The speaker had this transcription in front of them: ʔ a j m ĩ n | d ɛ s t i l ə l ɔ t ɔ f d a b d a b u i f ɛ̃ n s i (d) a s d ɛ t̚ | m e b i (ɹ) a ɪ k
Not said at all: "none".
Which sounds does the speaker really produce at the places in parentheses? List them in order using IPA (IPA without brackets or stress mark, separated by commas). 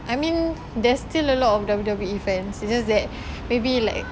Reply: d͡ʒ, l